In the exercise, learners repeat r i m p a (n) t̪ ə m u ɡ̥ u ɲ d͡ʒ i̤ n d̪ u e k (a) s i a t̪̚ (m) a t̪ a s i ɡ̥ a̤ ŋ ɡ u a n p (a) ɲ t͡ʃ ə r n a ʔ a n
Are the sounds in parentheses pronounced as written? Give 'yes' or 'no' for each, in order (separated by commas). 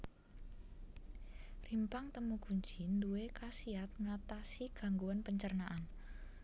no, yes, no, no